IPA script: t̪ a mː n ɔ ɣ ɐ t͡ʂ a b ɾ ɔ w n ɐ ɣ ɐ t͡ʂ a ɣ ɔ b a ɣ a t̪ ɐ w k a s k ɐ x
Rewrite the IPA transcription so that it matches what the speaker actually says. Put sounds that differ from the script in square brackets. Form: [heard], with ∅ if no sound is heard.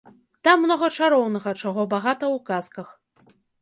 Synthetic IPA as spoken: t̪ a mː n ɔ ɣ ɐ t͡ʂ a [∅] ɾ ɔ w n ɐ ɣ ɐ t͡ʂ a ɣ ɔ b a ɣ a t̪ ɐ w k a s k ɐ x